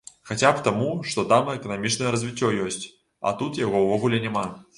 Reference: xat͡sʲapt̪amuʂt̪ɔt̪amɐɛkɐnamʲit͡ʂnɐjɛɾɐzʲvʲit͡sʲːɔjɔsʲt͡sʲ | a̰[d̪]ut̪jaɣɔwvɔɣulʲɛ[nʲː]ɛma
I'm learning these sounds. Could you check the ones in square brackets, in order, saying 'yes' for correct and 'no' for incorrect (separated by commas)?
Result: no, no